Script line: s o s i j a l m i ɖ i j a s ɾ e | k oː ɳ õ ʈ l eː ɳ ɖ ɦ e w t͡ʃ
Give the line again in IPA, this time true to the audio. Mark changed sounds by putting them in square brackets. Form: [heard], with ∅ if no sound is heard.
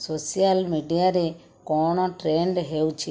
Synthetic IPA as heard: s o s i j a l m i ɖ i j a [∅] ɾ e | k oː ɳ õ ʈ [ɾ] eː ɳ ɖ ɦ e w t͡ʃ